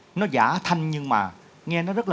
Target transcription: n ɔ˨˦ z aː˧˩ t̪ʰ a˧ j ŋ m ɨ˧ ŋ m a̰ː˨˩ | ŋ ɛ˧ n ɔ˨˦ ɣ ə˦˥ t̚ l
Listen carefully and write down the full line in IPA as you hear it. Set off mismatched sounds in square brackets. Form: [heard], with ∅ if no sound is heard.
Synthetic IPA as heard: n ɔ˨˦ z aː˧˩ t̪ʰ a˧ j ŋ [ɲ] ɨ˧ ŋ m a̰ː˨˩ | ŋ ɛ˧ n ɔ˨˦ [z] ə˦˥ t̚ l